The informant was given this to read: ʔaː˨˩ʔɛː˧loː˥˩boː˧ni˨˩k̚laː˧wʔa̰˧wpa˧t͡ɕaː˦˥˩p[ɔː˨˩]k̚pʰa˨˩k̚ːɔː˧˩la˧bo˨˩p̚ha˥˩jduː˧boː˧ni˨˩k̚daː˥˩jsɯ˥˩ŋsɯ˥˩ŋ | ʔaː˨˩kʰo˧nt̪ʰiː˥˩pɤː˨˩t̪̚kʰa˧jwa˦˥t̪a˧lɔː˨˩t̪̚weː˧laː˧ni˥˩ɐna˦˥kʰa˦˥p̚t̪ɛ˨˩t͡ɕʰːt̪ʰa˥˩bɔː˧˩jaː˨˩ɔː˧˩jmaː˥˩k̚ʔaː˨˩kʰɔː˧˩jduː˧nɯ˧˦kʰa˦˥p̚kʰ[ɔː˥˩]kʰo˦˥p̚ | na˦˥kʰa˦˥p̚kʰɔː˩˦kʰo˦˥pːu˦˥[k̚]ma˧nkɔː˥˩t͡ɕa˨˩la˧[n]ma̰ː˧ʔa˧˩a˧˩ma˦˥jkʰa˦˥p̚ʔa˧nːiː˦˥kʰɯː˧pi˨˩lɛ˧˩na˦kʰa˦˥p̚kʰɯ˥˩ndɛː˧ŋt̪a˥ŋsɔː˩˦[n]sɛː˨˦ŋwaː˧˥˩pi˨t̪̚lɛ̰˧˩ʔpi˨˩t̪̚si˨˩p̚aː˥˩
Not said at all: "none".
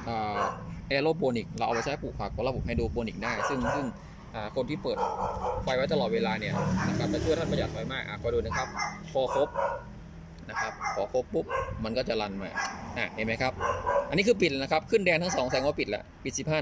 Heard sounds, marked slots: uː˨˩, ɔː˨˦, p̚, n, ŋ

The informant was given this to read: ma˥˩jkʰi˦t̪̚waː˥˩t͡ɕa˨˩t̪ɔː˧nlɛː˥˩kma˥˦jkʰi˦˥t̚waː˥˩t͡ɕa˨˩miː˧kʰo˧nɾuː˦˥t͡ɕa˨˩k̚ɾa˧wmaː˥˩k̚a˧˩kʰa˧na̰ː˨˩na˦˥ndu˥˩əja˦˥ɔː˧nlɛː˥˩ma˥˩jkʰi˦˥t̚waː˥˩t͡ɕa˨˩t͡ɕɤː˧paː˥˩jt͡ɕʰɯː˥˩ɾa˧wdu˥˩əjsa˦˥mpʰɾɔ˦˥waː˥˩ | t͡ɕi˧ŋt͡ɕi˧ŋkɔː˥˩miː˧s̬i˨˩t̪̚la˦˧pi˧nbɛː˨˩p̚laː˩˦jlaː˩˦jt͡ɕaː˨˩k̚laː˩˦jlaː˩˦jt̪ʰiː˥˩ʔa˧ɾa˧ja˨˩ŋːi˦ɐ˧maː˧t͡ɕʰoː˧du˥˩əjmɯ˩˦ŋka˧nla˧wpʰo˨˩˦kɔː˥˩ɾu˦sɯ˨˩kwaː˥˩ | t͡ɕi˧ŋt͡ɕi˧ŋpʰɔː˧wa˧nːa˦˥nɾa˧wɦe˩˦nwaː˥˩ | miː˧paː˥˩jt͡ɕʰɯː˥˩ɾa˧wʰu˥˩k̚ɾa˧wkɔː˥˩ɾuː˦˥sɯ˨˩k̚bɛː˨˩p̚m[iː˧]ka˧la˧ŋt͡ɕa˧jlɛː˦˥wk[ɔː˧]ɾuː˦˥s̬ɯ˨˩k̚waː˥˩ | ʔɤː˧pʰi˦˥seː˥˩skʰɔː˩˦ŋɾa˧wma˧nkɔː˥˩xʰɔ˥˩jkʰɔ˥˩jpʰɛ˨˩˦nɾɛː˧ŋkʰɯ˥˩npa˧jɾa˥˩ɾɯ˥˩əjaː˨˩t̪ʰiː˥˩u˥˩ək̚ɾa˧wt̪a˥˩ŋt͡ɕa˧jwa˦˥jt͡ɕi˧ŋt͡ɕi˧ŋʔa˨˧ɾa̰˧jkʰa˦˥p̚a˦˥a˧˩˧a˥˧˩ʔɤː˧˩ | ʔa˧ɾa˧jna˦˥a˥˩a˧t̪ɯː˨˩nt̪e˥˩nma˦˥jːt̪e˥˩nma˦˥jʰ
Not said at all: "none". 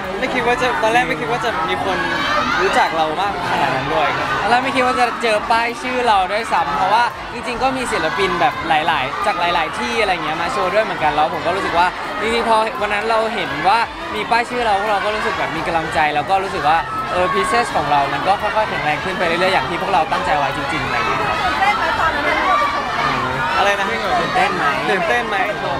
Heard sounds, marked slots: iː˧, ɔː˥˩

